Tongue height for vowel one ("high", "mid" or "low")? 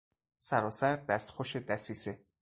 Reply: low